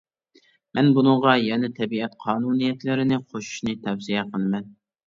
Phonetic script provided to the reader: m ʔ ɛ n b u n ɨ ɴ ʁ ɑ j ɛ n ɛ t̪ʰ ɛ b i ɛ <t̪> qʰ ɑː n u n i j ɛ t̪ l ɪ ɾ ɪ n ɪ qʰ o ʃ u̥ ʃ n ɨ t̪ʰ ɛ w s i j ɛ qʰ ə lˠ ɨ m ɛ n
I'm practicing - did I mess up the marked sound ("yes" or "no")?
no